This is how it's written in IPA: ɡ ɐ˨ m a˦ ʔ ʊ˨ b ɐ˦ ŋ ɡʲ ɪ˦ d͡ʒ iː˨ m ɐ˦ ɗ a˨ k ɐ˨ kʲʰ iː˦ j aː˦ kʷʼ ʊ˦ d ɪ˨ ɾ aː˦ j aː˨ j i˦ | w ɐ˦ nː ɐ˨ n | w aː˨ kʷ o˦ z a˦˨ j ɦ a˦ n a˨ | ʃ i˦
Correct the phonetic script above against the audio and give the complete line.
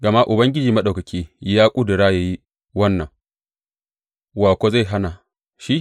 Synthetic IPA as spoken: ɡ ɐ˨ m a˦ ʔ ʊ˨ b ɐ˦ ŋ ɡʲ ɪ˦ d͡ʒ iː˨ m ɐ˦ ɗ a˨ k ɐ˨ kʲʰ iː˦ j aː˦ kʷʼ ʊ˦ d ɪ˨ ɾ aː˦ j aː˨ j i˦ | w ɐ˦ nː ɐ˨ ŋ | w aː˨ kʷ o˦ z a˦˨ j ɦ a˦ n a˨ | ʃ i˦